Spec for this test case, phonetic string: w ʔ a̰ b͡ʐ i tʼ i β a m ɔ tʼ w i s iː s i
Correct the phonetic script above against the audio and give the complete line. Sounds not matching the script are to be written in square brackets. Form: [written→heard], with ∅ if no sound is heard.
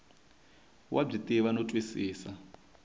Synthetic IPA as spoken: w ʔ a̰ b͡ʐ i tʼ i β a [m→n] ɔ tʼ w i s iː s [i→a]